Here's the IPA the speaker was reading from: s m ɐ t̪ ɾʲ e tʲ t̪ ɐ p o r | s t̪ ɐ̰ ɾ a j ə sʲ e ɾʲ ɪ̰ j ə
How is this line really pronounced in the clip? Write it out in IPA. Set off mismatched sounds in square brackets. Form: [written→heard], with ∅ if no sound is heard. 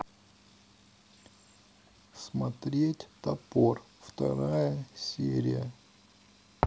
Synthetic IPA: s m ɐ t̪ ɾʲ e tʲ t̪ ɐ p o r | [s→f] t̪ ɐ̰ ɾ a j ə sʲ e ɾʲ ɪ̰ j ə